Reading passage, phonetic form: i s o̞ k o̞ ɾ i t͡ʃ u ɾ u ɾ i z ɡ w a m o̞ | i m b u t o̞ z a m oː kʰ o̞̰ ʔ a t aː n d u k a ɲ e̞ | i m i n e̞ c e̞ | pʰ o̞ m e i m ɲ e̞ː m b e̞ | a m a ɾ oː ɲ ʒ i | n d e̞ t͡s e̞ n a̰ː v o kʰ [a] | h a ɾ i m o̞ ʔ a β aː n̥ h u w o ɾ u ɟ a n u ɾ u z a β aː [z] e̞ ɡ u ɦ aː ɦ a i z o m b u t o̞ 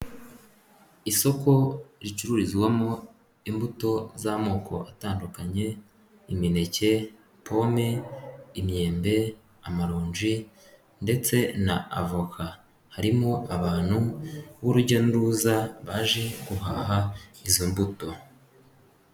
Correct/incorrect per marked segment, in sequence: correct, incorrect

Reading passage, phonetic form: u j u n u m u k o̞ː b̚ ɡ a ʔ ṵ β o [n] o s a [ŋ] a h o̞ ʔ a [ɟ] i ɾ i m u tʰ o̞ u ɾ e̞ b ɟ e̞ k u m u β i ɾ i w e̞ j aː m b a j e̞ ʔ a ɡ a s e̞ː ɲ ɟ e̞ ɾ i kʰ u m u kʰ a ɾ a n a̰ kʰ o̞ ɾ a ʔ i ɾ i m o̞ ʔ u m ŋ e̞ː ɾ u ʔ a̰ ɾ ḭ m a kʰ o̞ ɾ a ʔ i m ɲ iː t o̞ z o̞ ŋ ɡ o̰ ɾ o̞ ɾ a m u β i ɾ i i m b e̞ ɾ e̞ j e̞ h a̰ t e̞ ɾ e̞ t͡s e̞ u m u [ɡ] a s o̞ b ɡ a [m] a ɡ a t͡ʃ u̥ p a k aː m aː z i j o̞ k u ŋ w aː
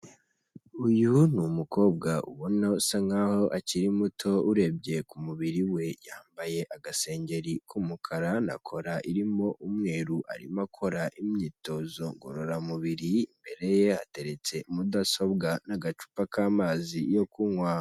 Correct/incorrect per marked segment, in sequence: correct, correct, incorrect, incorrect, incorrect

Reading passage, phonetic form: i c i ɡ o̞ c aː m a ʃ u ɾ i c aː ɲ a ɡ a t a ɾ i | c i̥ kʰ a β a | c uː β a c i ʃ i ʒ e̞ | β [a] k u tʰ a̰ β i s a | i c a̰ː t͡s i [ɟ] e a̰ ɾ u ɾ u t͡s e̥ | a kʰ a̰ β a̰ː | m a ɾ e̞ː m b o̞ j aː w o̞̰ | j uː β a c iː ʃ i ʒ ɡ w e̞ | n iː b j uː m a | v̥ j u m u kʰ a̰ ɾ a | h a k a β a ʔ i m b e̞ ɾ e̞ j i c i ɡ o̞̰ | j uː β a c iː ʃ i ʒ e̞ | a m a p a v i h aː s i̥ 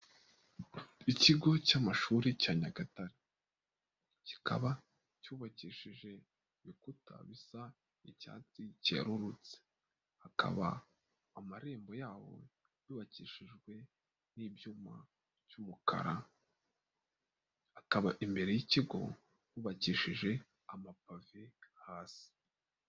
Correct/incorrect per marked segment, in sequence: incorrect, incorrect

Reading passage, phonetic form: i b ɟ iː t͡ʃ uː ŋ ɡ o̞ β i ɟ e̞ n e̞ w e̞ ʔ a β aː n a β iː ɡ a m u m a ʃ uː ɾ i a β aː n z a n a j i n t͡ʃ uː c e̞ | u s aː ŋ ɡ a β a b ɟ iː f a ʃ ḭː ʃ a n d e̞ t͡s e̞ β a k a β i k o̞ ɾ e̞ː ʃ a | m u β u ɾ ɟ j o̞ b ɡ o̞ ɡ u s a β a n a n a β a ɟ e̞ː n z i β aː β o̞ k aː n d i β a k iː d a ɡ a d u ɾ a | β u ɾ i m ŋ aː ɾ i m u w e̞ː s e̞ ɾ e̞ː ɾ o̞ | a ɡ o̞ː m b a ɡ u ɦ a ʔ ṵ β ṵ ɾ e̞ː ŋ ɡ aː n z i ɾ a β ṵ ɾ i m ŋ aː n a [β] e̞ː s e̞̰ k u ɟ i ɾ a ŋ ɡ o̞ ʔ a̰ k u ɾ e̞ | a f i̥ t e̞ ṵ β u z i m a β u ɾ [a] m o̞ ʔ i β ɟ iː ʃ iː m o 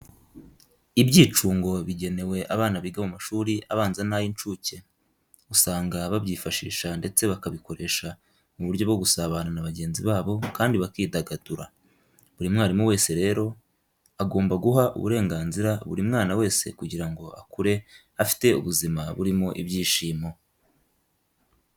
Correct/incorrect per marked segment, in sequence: incorrect, incorrect

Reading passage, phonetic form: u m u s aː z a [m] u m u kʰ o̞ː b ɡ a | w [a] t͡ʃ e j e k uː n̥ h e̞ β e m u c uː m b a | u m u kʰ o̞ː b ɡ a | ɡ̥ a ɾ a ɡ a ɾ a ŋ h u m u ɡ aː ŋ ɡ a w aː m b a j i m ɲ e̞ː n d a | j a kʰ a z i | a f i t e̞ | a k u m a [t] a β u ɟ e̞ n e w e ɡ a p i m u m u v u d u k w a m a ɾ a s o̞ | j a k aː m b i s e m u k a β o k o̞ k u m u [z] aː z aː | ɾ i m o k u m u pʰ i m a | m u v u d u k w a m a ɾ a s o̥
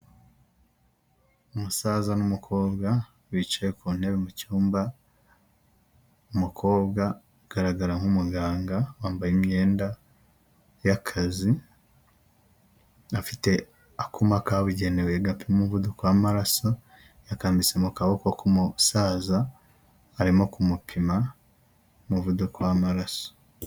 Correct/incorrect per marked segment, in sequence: incorrect, incorrect, incorrect, incorrect

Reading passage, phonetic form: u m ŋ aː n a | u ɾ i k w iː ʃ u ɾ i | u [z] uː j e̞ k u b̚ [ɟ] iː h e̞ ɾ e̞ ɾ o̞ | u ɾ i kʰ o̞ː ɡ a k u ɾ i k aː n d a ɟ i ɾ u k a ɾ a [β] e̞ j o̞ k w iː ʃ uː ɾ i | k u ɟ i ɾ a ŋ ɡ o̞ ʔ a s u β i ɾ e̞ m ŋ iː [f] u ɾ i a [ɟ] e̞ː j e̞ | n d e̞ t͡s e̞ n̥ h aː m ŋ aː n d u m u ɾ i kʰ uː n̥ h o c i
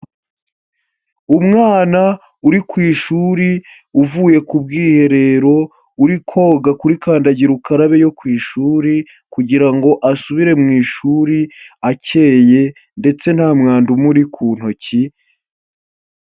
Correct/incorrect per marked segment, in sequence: incorrect, incorrect, correct, incorrect, incorrect

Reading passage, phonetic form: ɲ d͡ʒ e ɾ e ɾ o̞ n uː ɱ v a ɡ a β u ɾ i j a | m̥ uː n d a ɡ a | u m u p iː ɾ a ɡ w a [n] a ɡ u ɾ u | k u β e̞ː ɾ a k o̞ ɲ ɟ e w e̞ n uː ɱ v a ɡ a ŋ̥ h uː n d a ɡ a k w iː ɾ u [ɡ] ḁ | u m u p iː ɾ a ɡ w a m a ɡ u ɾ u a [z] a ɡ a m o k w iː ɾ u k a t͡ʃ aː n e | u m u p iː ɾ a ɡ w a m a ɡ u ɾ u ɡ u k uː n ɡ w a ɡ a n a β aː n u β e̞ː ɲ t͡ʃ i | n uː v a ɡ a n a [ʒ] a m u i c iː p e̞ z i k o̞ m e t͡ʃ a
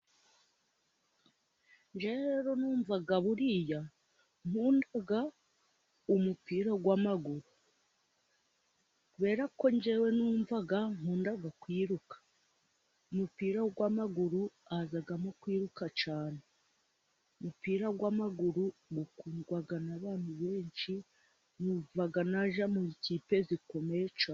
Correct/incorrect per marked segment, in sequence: incorrect, incorrect, correct, correct

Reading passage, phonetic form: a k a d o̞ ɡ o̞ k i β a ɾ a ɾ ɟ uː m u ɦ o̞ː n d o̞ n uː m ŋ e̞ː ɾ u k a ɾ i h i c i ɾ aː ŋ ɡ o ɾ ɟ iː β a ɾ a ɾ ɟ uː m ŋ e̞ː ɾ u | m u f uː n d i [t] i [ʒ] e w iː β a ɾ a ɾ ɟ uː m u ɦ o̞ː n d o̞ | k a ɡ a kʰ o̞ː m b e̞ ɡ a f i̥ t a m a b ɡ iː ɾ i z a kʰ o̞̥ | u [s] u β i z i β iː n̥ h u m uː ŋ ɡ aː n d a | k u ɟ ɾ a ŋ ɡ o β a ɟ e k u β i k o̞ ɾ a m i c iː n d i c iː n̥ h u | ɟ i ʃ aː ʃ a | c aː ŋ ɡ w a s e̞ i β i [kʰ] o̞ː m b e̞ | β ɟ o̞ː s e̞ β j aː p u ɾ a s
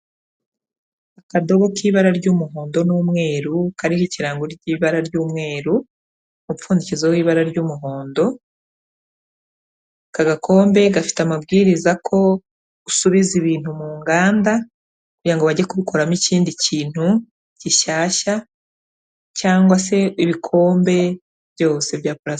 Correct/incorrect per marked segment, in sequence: incorrect, incorrect, correct, correct

